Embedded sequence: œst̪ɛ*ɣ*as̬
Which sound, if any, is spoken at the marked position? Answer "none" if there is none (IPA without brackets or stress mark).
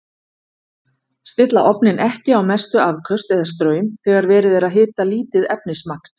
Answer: ð